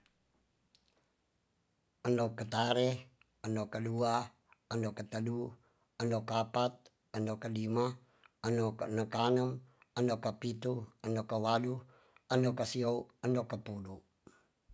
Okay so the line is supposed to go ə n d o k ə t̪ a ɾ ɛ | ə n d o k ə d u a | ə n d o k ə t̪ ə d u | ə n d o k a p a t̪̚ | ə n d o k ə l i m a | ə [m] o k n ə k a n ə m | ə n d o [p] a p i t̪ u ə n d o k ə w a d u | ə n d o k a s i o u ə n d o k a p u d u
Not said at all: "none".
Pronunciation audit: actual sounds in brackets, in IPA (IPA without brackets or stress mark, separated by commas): n, k